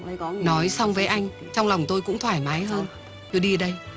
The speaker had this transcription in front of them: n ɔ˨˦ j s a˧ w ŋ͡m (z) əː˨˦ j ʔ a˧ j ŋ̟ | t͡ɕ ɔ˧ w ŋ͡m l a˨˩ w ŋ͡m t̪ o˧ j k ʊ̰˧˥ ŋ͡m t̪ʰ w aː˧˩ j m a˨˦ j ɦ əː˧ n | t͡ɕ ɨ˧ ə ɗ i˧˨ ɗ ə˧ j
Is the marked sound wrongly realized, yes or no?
yes